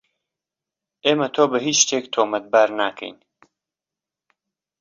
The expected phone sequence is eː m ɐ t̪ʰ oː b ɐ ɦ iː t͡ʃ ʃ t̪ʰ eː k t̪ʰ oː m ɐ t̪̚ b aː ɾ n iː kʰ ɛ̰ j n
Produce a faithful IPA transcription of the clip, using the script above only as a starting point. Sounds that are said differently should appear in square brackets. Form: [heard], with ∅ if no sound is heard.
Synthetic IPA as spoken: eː m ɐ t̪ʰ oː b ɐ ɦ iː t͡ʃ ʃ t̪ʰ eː k t̪ʰ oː m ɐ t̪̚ b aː ɾ n [aː] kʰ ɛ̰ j n